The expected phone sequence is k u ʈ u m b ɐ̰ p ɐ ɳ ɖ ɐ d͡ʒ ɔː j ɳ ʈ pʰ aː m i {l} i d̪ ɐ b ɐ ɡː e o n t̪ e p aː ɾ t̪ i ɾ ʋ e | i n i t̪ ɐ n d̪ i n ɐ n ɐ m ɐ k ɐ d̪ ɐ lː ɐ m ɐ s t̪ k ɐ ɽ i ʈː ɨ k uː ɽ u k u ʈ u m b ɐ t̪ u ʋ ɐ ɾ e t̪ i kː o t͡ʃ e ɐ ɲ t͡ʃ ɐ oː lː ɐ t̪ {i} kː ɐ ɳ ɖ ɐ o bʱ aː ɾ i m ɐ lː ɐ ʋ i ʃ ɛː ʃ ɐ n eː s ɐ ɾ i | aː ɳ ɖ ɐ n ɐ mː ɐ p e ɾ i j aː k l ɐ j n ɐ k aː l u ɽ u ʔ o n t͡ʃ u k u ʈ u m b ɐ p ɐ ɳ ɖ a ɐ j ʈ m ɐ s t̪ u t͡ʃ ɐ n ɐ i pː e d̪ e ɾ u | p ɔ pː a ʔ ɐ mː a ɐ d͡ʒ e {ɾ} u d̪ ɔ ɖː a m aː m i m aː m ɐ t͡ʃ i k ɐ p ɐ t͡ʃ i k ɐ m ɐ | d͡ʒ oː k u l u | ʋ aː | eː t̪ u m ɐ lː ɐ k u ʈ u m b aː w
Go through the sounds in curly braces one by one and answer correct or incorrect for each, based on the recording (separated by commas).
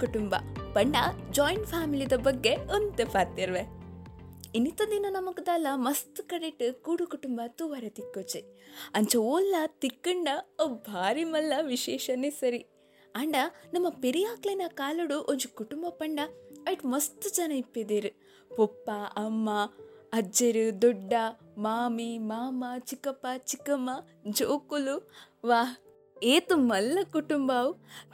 correct, correct, correct